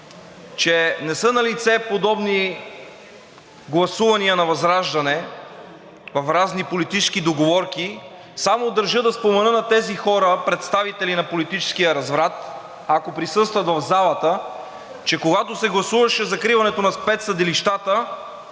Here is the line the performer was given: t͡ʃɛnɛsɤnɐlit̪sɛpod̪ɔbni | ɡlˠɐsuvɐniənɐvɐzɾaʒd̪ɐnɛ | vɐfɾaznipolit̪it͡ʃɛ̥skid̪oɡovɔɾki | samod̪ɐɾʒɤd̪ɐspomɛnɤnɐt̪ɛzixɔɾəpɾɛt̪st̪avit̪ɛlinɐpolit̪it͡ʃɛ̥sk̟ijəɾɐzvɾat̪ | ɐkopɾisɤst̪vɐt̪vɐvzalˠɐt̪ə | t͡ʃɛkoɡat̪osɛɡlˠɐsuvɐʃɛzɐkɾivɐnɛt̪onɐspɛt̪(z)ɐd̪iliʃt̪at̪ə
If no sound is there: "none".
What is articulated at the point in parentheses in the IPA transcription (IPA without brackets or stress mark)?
s